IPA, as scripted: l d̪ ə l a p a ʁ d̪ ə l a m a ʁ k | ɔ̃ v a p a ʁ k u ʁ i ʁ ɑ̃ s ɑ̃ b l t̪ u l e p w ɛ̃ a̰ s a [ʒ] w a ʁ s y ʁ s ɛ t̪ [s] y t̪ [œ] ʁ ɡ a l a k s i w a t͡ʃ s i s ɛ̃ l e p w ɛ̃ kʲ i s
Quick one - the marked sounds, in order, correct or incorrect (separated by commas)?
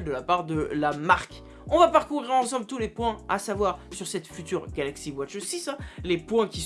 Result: incorrect, incorrect, incorrect